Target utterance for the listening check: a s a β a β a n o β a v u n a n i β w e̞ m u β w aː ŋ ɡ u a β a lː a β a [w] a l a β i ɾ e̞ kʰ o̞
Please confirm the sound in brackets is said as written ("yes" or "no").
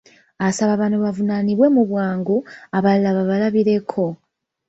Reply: no